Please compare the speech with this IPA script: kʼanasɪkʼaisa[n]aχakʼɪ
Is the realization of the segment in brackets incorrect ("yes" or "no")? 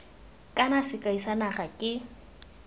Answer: no